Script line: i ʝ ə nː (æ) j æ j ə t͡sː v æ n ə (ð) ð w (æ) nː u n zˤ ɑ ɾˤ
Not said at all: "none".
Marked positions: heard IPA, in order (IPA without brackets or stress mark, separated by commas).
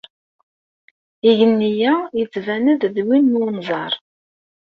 i, ð, i